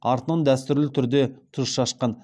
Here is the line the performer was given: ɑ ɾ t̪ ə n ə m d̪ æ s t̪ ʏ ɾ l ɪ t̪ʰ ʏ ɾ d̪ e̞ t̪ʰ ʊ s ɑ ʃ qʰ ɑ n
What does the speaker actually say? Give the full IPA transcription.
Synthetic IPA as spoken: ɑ ɾ t̪ ə n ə ɴ d̪ æ s t̪ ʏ ɾ l ɪ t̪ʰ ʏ ɾ d̪ e̞ t̪ʰ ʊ ʃ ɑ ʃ q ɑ n

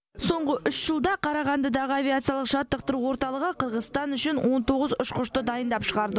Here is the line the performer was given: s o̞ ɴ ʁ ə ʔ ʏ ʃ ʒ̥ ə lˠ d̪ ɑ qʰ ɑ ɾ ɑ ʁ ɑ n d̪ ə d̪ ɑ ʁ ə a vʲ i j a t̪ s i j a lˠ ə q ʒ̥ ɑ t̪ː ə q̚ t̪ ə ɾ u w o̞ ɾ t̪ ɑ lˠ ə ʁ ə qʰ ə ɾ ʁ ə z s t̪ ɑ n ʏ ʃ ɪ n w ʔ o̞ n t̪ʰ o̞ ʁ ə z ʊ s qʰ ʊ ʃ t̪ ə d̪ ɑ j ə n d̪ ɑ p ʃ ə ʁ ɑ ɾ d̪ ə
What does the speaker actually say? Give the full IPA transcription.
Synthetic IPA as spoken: s o̞ ɴ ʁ ə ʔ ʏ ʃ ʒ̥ ə lˠ d̪ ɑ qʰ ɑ ɾ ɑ ʁ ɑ n d̪ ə d̪ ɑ ʁ ə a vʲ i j a t̪ s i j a lˠ ə q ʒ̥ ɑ t̪ː ə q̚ t̪ ə ɾ u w o̞ ɾ t̪ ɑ lˠ ə ʁ ə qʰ ə ɾ ʁ ə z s t̪ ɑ n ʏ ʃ ɪ n w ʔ o̞ n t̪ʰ o̞ ʁ ə z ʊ ʃ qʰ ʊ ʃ t̪ ə d̪ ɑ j ə n d̪ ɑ p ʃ ə ʁ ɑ ɾ d̪ ə

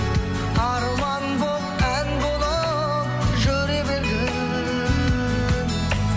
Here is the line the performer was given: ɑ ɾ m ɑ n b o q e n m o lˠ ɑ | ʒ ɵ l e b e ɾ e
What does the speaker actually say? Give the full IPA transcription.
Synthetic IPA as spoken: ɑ ɾ m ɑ n b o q æ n b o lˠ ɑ | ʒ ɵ ɾ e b e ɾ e

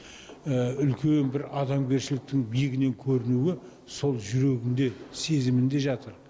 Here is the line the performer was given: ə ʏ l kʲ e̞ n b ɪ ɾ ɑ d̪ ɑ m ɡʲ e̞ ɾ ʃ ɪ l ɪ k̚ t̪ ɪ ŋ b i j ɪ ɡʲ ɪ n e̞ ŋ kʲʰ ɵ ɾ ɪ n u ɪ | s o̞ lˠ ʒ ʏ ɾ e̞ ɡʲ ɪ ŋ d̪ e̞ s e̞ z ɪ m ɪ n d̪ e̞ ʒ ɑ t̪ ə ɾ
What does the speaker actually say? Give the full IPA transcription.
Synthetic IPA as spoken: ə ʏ l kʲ e̞ n b ɪ ɾ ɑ d̪ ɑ m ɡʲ e̞ ɾ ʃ ɪ l ɪ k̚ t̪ ɪ ŋ b i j ɪ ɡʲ ɪ n e̞ ŋ kʲʰ ɵ ɾ ɪ n u ɪ | s o̞ lˠ ʒ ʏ ɾ e̞ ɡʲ ɪ n d̪ e̞ s e̞ z ɪ m ɪ n d̪ e̞ ʒ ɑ t̪ ə ɾ

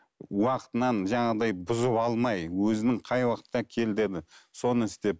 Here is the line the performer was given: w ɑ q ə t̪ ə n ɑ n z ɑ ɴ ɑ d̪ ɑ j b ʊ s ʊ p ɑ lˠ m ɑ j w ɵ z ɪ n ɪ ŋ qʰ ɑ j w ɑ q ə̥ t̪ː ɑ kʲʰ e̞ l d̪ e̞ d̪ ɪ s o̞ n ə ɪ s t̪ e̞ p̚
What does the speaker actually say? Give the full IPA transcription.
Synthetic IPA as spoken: w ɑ q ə t̪ ə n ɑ n ʒ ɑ ɴ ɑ d̪ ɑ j b ʊ z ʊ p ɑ lˠ m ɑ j w ɵ z ɪ n ɪ ŋ qʰ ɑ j w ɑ q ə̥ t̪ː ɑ kʲʰ e̞ l d̪ e̞ d̪ ɪ s o̞ n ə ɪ s t̪ e̞ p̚

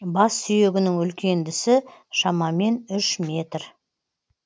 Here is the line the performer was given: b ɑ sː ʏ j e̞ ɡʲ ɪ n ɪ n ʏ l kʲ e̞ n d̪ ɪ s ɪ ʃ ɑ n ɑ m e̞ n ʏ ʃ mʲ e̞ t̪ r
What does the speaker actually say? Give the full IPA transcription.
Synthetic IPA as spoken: b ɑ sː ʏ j e̞ ɡʲ ɪ n ɪ ŋ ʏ l kʲ e̞ n d̪ ɪ s ɪ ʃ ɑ m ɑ m e̞ n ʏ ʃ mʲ e̞ t̪ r

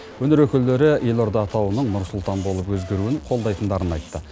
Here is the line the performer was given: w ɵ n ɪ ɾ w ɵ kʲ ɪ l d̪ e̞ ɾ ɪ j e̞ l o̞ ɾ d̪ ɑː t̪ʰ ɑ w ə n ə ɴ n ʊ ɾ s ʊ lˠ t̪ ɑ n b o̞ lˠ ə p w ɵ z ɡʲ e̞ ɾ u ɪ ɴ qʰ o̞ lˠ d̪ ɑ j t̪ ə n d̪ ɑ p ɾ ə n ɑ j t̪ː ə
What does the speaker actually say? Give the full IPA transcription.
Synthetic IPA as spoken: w ɵ n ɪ ɾ w ɵ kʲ ɪ l d̪ e̞ ɾ ɪ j e̞ l o̞ ɾ d̪ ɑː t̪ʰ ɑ w ə n ə ɴ n ʊ ɾ s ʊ lˠ t̪ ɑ n b o̞ lˠ ə p w ɵ z ɡʲ e̞ ɾ u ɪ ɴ qʰ o̞ lˠ d̪ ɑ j t̪ ə n d̪ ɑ ɾ ə n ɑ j t̪ː ə

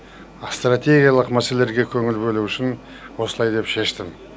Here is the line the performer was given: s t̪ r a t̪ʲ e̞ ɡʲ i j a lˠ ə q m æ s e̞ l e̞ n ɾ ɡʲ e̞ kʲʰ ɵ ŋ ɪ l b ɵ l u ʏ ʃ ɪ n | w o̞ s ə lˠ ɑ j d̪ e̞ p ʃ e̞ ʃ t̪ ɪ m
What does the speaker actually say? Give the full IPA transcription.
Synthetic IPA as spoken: s t̪ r a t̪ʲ e̞ ɡʲ i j a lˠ ə q m æ s e̞ l e̞ ɾ ɡʲ e̞ kʲʰ ɵ ŋ ɪ l b ɵ l u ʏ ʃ ɪ n | w o̞ s ə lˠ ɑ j d̪ e̞ p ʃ e̞ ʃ t̪ ɪ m

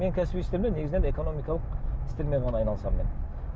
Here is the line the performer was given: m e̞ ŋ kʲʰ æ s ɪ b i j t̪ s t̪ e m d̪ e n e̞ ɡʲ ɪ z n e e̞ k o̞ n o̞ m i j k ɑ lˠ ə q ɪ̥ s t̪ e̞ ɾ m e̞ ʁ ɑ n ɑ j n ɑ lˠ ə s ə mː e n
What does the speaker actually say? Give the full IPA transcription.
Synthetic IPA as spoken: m e̞ ŋ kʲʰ æ s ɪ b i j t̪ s t̪ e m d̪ e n e̞ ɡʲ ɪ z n e e̞ k o̞ n o̞ m i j k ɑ lˠ ə q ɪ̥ s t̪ e̞ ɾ m e̞ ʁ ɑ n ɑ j n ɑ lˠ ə s ɑ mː e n

